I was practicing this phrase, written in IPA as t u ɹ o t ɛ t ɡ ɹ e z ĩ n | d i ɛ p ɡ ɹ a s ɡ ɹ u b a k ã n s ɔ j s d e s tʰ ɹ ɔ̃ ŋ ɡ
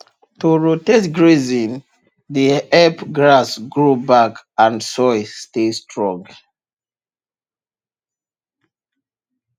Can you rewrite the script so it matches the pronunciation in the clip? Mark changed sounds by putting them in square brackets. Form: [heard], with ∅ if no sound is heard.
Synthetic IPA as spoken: t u ɹ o t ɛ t ɡ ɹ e z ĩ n | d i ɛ p ɡ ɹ a s ɡ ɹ u b a k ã n s ɔ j s [t] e s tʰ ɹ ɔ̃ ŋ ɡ